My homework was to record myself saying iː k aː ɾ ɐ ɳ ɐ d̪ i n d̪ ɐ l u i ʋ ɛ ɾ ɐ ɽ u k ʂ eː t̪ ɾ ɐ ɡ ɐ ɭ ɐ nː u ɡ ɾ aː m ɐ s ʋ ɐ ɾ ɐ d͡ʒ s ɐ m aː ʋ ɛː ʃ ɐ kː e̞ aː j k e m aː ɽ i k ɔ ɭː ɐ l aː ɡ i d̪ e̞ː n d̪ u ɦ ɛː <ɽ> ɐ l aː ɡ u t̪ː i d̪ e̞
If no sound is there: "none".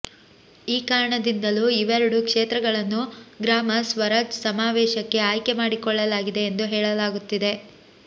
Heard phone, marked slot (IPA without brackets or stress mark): ɭ